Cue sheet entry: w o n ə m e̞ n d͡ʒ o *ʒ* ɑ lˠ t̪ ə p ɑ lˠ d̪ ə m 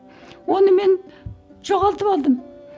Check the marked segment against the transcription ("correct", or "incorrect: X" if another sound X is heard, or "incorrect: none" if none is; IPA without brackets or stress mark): incorrect: ʁ